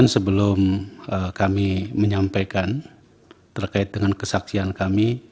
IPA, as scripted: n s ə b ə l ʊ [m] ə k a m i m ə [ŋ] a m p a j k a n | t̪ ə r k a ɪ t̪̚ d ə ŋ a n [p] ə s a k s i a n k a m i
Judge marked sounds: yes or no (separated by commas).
yes, no, no